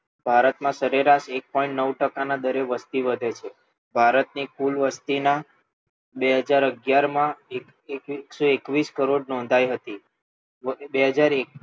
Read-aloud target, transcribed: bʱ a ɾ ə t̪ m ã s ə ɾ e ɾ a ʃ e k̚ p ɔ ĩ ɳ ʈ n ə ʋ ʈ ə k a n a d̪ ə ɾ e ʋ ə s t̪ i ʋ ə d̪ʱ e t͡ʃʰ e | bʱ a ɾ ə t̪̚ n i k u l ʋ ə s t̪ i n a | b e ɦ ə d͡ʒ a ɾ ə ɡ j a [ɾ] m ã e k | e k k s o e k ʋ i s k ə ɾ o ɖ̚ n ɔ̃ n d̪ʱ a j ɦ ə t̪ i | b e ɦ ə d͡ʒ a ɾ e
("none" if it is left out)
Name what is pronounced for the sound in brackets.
ɾ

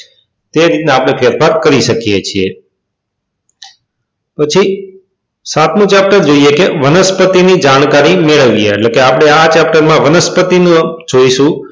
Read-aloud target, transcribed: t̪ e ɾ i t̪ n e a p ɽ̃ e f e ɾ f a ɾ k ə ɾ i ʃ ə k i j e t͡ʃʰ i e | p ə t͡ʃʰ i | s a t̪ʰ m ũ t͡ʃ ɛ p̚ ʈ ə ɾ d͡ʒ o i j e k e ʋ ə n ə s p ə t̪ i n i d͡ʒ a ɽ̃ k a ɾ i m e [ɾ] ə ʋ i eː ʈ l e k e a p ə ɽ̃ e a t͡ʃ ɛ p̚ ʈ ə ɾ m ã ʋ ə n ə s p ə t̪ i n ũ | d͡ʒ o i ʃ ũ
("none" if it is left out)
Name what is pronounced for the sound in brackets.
ɭ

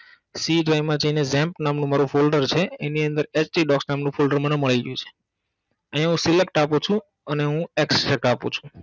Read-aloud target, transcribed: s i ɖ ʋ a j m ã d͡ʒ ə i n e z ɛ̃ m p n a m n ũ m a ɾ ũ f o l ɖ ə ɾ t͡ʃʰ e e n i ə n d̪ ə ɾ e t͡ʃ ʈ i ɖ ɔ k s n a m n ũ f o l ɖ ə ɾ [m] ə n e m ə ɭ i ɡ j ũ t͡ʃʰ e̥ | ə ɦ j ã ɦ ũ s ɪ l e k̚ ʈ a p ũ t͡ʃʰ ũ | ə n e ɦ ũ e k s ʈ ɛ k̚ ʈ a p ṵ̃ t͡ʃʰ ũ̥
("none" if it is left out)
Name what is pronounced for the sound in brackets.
m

